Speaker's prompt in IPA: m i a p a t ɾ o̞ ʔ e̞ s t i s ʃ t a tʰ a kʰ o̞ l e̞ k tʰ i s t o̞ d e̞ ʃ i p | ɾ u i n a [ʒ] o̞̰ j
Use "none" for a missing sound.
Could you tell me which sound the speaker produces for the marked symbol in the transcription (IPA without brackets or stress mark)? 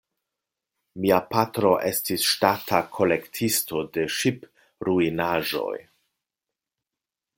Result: ʒ